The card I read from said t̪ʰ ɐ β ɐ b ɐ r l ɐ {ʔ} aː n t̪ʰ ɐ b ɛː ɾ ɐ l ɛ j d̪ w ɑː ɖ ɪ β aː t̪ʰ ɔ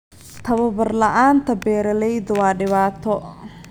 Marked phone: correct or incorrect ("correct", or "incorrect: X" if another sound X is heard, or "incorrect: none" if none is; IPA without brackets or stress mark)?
correct